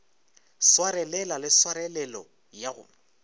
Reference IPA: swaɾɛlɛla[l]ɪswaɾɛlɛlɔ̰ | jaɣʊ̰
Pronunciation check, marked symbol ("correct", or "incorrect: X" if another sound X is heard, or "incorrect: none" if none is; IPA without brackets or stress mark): correct